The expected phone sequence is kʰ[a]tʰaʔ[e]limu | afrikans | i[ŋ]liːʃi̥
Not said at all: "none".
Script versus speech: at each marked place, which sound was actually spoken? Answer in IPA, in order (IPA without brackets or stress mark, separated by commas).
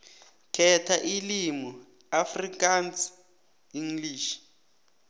ɛ, i, ŋ